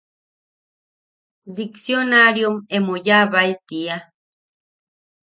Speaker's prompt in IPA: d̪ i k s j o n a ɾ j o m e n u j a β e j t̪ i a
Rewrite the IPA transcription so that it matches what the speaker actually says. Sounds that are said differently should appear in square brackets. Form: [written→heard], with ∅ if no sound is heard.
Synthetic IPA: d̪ i k s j o n a ɾ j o m e [n→m] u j a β [e→a] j t̪ i a

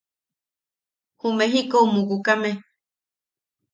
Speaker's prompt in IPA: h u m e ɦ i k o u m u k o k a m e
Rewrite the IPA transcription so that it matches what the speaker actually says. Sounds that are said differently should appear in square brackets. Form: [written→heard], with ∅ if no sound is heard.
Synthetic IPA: h u m e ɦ i k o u m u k [o→u] k a m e

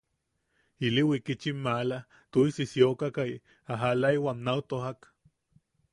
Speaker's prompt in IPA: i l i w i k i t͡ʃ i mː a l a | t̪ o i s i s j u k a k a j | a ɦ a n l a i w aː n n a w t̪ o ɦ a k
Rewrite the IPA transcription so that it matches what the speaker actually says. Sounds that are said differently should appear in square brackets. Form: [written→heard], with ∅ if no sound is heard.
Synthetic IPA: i l i w i k i t͡ʃ i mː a l a | t̪ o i s i s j [u→o] k a k a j | a ɦ a [n→∅] l a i w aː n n a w t̪ o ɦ a k

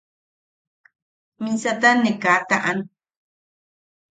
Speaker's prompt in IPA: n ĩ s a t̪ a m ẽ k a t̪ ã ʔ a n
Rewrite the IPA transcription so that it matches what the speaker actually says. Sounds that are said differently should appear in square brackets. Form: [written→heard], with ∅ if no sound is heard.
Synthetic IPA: [n→m] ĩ s a t̪ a [m→n] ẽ k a t̪ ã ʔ a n

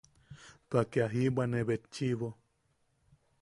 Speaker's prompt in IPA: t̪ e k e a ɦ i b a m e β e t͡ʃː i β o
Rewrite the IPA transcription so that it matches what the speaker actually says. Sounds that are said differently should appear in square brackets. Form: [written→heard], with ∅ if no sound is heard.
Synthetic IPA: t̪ [e→a] k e a ɦ i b a [m→n] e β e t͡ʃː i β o

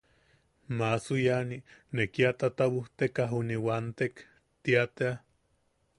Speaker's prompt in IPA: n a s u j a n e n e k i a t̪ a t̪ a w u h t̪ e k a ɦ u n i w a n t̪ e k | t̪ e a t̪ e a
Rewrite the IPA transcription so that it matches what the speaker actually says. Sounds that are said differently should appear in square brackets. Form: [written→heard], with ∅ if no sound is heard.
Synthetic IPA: [n→m] a s u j a n [e→i] n e k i a t̪ a t̪ a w u h t̪ e k a ɦ u n i w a n t̪ e k | t̪ [e→i] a t̪ e a

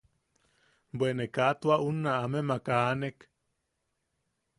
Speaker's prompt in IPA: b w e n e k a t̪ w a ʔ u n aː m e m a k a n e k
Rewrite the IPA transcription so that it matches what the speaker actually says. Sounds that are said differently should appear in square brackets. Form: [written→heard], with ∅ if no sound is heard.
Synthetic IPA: b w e n e k a t̪ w a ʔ u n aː m e m a k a n e k

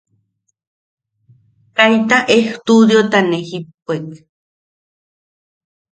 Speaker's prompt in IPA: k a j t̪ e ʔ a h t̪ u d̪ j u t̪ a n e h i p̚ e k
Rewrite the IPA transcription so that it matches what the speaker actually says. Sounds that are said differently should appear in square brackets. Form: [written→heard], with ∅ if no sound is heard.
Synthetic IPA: k a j t̪ [e→a] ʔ [a→e] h t̪ u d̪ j [u→o] t̪ a n e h i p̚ e k

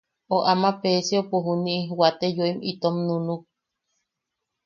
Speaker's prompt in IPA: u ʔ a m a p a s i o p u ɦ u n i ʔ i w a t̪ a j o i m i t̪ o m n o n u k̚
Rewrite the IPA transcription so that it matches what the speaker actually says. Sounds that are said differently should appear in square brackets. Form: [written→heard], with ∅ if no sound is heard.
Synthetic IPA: [u→o] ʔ a m a p [a→e] s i o p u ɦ u n i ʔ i w a t̪ [a→e] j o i m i t̪ o m n [o→u] n u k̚

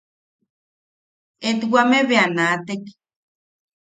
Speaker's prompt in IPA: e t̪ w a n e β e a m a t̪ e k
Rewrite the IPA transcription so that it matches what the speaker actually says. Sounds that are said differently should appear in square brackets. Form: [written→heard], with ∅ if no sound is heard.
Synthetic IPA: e t̪ w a [n→m] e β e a [m→n] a t̪ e k

